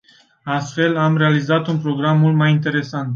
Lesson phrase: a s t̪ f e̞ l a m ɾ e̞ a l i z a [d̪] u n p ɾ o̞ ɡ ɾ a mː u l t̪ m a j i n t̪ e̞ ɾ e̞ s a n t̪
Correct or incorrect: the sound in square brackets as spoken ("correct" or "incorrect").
incorrect